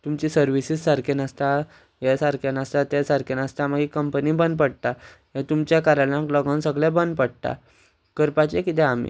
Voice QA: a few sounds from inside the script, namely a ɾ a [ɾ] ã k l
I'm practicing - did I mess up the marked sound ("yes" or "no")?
yes